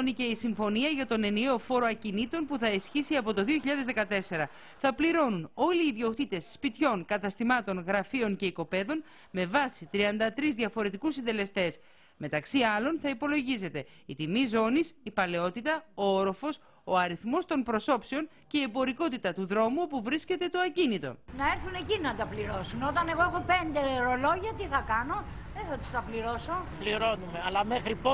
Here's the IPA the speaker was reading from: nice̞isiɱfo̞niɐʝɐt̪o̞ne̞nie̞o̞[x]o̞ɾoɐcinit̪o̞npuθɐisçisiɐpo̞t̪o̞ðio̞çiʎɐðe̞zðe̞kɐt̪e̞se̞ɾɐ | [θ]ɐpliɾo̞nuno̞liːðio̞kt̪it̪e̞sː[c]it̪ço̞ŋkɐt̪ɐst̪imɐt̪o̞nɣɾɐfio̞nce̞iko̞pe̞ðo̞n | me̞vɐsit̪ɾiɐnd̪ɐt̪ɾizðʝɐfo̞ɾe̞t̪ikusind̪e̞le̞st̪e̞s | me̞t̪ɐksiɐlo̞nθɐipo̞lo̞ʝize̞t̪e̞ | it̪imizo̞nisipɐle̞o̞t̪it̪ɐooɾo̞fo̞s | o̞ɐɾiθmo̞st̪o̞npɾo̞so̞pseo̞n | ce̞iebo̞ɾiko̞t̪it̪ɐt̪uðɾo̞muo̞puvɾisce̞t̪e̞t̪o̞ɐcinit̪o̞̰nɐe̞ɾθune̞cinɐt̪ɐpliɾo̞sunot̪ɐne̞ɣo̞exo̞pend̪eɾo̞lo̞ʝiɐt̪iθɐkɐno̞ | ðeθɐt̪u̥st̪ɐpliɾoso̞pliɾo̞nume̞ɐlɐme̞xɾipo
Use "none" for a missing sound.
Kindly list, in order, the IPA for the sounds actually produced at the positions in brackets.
f, θ, p

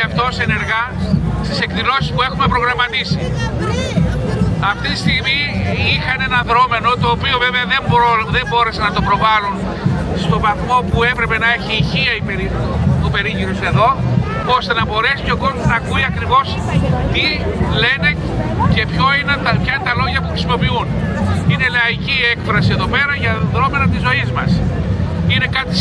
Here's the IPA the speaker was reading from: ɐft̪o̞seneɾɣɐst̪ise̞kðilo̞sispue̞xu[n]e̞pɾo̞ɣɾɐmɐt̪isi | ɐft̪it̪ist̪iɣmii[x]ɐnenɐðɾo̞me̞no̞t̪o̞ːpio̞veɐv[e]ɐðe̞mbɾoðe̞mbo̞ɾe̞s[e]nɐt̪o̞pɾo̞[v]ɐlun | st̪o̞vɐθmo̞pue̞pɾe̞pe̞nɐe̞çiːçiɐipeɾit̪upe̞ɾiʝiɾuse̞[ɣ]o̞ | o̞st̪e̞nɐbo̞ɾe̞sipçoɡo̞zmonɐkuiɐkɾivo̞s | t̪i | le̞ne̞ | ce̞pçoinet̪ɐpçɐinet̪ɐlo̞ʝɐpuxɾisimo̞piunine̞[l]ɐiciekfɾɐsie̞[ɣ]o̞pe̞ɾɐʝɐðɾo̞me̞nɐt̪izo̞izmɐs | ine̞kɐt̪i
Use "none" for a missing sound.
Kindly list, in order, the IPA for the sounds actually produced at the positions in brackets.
m, x, e, e, v, ð, l, ð

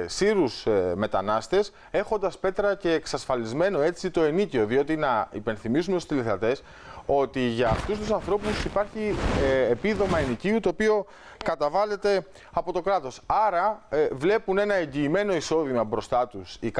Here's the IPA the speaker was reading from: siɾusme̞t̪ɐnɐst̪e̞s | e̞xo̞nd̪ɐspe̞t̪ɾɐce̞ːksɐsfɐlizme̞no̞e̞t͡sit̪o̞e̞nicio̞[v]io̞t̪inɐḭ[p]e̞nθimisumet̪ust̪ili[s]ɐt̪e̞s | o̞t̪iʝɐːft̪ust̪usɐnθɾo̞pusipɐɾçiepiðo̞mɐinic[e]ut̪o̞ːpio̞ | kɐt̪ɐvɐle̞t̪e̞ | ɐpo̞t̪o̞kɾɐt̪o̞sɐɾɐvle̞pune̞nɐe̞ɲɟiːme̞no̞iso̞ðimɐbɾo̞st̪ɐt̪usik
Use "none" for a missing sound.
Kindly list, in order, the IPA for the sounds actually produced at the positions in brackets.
ð, p, θ, i

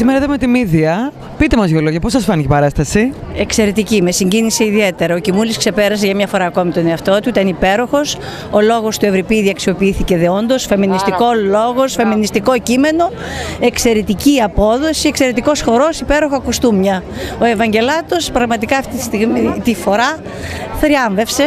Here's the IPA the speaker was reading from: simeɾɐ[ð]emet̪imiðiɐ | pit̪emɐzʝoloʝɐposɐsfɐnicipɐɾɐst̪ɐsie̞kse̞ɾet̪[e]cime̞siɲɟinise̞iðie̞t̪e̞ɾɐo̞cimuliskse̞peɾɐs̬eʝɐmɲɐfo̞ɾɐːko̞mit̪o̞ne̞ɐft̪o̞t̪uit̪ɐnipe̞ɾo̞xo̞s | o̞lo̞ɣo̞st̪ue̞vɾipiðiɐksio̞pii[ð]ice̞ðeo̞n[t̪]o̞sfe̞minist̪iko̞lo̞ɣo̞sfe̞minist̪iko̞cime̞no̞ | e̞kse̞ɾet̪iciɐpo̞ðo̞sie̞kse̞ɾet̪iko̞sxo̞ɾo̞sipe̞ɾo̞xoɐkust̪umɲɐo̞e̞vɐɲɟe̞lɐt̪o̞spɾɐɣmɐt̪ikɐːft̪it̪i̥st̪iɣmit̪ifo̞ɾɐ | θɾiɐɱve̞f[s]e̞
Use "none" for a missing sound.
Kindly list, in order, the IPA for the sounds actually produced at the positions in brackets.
ð, i, θ, d̪, s

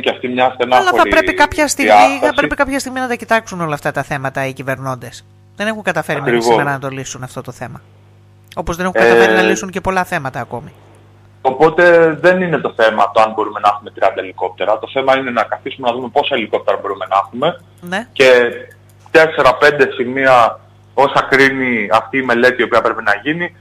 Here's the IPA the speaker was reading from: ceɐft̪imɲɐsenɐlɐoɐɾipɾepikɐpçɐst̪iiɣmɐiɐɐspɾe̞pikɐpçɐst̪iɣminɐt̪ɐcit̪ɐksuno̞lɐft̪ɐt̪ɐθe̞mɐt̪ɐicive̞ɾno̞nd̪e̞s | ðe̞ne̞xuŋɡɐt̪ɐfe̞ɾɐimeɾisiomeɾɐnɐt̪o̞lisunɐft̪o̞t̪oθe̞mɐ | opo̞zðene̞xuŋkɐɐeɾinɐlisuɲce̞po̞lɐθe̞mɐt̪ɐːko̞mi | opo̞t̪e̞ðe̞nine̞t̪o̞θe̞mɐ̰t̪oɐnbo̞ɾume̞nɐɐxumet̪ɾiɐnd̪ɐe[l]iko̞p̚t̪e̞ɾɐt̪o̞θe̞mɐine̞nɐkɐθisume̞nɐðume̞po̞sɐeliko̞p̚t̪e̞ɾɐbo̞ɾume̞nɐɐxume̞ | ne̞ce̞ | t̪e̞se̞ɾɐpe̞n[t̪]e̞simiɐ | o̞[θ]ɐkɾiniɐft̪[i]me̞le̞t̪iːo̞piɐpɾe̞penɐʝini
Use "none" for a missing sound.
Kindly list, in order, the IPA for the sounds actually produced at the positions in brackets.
l, d̪, s, iː

